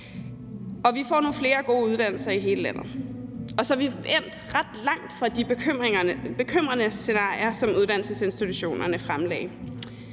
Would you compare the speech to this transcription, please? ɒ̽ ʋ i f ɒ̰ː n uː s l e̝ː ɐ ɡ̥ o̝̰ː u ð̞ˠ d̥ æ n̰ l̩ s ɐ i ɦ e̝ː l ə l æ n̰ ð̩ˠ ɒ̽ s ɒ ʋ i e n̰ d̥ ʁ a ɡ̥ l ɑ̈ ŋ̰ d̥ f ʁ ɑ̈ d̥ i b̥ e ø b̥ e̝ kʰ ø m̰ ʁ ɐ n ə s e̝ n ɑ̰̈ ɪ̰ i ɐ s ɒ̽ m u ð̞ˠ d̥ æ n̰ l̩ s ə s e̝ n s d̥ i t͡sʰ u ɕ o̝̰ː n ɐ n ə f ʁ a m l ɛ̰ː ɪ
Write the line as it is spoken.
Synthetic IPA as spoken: ɒ̽ ʋ i f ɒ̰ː n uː f l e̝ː ɐ ɡ̥ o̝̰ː u ð̞ˠ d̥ æ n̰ l̩ s ɐ i ɦ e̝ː l ə l æ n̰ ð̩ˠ ɒ̽ s ɒ ʋ i e n̰ d̥ ʁ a d̥ l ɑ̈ ŋ̰ d̥ f ʁ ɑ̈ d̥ i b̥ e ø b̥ e̝ kʰ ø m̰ ʁ ɐ n ə s e̝ n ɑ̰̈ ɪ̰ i ɐ s ɒ̽ m u ð̞ˠ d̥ æ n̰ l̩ s ə s e̝ n s d̥ i t͡sʰ u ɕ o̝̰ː n ɐ n ə f ʁ a m l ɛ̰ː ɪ